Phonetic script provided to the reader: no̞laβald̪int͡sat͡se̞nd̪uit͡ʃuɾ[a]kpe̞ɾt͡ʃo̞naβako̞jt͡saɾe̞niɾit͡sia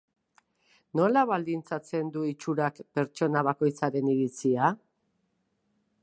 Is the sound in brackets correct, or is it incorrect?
correct